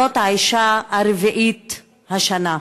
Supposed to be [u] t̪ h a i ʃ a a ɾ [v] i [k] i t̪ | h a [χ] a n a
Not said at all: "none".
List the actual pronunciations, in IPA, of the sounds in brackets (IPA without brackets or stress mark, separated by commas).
o, v, ʔ, ʃ